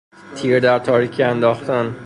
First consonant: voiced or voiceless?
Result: voiceless